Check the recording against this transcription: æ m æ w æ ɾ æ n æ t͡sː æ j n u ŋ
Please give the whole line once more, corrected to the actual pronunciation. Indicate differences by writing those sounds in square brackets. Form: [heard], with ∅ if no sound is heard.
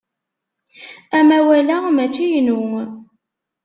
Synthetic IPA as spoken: æ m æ w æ [l] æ [m] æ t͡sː [i] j n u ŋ